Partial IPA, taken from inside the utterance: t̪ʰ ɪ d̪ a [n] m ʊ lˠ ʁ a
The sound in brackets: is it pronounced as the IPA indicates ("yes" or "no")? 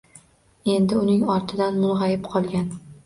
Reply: yes